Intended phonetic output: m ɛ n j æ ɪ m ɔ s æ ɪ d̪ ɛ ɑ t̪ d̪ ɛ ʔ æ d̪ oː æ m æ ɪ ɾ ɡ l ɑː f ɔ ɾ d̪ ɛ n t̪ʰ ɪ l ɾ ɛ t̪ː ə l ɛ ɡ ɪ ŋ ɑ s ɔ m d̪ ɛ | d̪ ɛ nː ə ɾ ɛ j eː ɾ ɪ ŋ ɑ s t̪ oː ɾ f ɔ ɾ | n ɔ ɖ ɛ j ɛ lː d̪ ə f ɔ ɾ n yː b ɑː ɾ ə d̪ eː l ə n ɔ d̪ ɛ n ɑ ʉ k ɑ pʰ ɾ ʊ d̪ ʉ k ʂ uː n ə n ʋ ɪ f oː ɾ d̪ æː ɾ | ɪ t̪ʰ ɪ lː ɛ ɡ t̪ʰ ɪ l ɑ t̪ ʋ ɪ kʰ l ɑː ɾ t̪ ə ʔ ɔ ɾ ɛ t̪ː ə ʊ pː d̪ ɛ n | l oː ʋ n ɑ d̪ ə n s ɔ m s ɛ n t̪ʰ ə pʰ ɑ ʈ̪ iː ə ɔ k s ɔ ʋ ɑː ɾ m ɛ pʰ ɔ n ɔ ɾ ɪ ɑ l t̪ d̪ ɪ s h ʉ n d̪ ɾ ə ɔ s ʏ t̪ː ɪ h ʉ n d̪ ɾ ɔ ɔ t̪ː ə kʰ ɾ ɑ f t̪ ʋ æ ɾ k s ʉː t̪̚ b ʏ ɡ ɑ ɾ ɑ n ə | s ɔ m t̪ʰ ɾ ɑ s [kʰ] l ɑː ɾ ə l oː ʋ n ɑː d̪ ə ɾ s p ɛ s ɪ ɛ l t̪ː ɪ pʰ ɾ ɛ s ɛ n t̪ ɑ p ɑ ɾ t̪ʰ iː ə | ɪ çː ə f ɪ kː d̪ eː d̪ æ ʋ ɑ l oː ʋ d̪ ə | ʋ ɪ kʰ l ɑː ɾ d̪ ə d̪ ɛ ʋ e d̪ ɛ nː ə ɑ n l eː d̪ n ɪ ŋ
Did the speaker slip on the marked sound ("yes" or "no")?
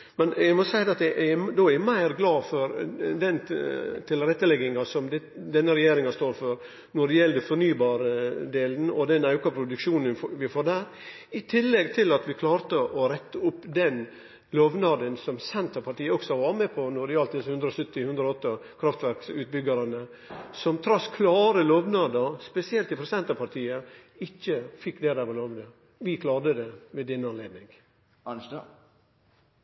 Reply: no